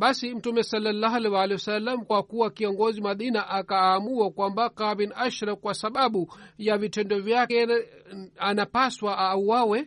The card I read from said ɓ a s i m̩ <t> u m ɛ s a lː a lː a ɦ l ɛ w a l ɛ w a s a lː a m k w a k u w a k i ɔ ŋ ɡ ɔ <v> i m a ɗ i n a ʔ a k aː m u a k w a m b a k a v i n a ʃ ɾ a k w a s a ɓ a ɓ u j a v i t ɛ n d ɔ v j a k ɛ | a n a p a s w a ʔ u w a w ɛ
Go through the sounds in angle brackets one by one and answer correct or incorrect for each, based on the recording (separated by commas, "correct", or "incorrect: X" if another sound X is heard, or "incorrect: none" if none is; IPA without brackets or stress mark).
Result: correct, incorrect: z